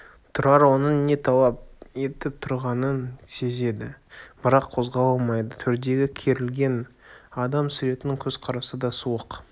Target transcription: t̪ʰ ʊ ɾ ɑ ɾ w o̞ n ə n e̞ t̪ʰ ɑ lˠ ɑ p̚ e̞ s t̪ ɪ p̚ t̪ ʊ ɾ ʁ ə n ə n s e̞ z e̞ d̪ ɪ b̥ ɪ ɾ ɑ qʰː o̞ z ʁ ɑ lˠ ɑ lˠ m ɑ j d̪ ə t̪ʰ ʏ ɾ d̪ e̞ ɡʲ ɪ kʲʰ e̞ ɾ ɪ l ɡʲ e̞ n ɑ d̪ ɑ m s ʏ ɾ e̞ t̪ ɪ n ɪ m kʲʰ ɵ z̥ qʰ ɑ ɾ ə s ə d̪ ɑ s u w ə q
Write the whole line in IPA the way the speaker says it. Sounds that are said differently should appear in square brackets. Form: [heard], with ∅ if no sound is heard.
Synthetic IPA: t̪ʰ ʊ ɾ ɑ ɾ w o̞ n ə n e̞ t̪ʰ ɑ lˠ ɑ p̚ e̞ [∅] t̪ ɪ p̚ [t̪ʰ] ʊ ɾ ʁ [ɑ] n ə n s e̞ z e̞ d̪ ɪ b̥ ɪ ɾ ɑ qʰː o̞ z ʁ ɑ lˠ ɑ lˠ m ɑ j d̪ ə t̪ʰ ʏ ɾ d̪ e̞ ɡʲ ɪ kʲʰ e̞ ɾ ɪ l ɡʲ e̞ n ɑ d̪ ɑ m s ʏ ɾ e̞ t̪ ɪ n ɪ [ŋ] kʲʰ ɵ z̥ qʰ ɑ ɾ [ɑ] s ə d̪ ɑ s u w ə q